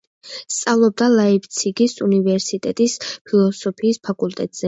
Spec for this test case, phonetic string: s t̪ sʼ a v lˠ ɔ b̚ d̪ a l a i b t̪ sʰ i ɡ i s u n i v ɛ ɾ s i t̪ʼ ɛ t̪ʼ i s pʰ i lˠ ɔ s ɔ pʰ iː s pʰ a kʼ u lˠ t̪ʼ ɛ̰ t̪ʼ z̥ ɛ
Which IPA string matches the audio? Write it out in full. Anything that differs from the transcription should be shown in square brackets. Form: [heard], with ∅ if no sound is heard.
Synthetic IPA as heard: s t̪ sʼ a v lˠ ɔ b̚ d̪ a l a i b t̪ sʰ i ɡ i s u n i v ɛ ɾ s i t̪ʼ ɛ t̪ʼ i s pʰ i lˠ ɔ s ɔ pʰ iː s pʰ a kʼ u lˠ t̪ʼ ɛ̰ t̪ʼ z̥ ɛ